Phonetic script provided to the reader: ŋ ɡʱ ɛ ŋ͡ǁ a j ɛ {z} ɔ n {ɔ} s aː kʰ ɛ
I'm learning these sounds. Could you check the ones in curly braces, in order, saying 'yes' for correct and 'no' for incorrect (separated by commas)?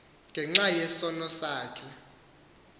no, yes